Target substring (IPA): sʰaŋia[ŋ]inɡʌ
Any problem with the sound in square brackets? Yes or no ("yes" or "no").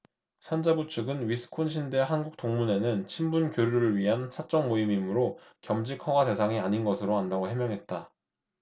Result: yes